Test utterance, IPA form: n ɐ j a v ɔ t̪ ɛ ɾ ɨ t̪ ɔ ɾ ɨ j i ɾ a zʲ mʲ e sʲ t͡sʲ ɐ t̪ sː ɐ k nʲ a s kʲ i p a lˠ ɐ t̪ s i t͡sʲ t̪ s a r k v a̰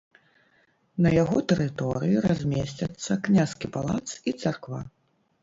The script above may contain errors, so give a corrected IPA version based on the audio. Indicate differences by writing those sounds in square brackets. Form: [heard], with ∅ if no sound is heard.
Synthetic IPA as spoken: n ɐ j a [ɣ] ɔ t̪ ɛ ɾ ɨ t̪ ɔ ɾ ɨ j i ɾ a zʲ mʲ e sʲ t͡sʲ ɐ t̪ sː ɐ k nʲ a s kʲ i p a lˠ [a] t̪ s i [∅] t̪ s a r k v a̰